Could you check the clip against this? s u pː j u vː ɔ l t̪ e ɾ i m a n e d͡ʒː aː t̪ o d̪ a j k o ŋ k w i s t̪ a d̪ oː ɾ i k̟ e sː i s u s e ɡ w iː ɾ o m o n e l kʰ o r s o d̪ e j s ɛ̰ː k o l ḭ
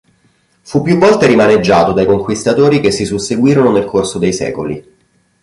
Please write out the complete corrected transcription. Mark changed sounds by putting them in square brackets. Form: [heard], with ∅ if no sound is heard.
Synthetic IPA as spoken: [f] u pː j u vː ɔ l t̪ e ɾ i m a n e d͡ʒː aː t̪ o d̪ a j k o ŋ k w i s t̪ a [t̪] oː ɾ i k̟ e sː i s u s e ɡ w iː ɾ o [n] o n e l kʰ o r s o d̪ e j s ɛ̰ː k o l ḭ